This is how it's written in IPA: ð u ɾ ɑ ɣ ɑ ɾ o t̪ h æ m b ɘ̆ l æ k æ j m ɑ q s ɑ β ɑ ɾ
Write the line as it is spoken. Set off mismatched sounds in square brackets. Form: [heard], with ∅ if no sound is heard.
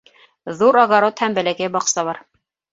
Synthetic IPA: ð u ɾ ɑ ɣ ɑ ɾ o t̪ h æ m b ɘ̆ l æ k æ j [b] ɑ q s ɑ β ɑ ɾ